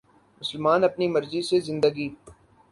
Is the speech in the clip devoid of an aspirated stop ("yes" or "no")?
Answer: yes